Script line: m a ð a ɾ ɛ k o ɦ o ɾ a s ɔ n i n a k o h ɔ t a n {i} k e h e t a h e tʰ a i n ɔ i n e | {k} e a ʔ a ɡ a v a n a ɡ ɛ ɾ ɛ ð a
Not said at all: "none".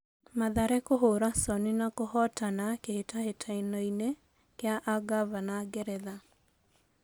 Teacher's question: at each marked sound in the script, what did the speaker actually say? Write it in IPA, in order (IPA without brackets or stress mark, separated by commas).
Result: a, k